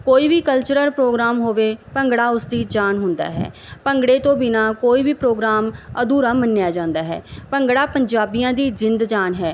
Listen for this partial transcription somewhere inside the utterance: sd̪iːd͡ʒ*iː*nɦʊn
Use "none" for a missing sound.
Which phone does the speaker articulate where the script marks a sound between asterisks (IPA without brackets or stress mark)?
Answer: aː